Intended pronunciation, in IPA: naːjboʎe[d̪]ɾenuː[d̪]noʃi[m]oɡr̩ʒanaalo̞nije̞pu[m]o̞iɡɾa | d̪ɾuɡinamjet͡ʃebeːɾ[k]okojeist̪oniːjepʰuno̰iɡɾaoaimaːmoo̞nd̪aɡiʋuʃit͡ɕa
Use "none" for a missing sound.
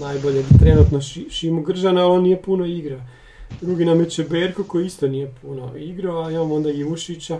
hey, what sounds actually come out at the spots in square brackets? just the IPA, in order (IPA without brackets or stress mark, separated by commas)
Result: t̪, t̪, m, n, k